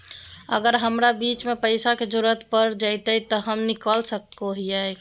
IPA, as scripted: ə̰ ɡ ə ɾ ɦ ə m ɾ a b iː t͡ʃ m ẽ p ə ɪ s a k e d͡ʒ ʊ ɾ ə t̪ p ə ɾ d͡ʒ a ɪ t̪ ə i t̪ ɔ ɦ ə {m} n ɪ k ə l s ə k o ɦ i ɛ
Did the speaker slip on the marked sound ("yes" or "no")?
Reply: no